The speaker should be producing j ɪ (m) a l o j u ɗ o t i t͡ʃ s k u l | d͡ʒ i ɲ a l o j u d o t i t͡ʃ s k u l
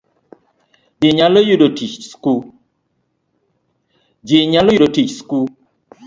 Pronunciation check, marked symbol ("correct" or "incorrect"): incorrect